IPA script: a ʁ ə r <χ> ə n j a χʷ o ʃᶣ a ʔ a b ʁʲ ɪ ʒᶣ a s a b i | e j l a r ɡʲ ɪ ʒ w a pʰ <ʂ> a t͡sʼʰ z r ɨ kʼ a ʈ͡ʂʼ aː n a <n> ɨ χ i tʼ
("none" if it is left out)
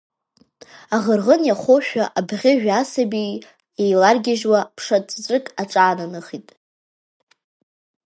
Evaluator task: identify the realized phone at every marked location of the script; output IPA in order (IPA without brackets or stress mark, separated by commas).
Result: ʁ, ʂ, n